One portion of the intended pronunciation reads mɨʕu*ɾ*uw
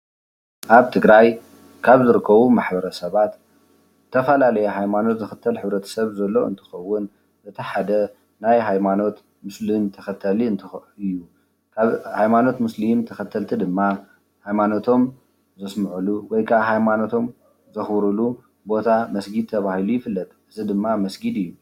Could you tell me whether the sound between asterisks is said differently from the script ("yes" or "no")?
yes